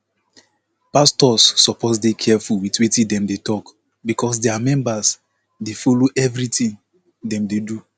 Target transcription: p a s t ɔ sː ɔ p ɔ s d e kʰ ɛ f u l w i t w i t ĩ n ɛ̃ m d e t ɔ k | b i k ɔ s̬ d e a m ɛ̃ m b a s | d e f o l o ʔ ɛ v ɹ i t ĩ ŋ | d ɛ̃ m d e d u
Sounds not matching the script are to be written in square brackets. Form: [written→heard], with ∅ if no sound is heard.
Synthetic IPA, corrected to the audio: p a s t ɔ sː ɔ p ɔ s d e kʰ ɛ f u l w i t w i t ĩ [n→d] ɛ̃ m d e t ɔ k | b i k ɔ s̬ d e a m ɛ̃ m b a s | d e f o l o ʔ ɛ v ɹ i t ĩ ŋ | d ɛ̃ m d e d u